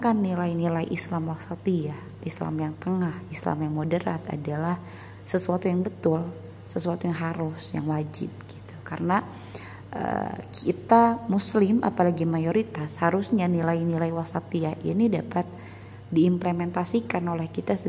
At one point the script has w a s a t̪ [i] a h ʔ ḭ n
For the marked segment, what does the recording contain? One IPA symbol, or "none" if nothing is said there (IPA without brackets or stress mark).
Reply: i